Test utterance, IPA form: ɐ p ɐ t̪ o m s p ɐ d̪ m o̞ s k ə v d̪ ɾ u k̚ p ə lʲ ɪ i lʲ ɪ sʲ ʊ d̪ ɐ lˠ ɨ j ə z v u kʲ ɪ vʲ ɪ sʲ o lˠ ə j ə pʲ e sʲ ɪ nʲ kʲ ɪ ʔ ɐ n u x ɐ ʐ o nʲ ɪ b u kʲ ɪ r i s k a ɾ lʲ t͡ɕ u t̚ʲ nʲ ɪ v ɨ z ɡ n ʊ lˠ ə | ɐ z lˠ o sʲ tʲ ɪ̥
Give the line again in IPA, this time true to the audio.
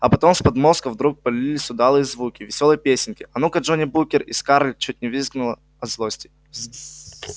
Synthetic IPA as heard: ɐ p ɐ t̪ o m s p ɐ d̪ m o̞ s k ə v d̪ ɾ u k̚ p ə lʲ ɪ i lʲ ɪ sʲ ʊ d̪ a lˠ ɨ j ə z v u kʲ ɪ vʲ ɪ sʲ o lˠ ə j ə pʲ e sʲ ɪ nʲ kʲ ɪ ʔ ɐ n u k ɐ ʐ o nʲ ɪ b u kʲ ɪ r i s k a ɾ lʲ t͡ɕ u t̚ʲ nʲ ɪ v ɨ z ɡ n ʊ lˠ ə | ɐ z lˠ o sʲ tʲ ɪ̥